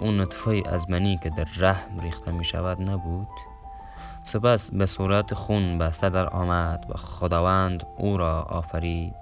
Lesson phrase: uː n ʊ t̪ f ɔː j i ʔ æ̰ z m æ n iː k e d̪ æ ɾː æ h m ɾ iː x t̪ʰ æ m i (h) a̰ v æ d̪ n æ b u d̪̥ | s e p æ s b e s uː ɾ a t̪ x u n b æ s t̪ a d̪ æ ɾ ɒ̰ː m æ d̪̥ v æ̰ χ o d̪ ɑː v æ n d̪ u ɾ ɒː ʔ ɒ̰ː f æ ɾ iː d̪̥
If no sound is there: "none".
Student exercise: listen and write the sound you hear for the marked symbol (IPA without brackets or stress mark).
ʃ